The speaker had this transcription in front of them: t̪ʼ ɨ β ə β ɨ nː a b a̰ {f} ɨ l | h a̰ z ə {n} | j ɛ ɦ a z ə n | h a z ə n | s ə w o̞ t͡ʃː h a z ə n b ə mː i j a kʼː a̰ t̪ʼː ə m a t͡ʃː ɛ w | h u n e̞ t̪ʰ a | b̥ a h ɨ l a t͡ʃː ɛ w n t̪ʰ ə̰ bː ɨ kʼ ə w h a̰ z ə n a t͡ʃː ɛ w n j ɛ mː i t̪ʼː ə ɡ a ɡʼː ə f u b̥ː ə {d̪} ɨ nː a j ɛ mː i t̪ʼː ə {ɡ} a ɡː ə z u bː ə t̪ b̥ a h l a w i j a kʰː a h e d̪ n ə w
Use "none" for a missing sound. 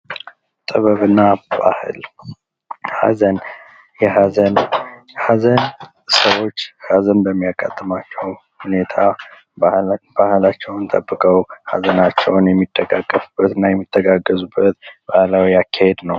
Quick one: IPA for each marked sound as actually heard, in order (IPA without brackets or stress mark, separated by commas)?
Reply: h, n, t̪, ɡ